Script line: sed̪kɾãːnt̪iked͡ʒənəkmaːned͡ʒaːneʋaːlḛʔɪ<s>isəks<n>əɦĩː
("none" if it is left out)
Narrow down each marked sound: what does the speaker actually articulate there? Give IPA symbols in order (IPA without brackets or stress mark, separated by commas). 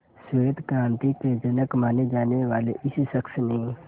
s, n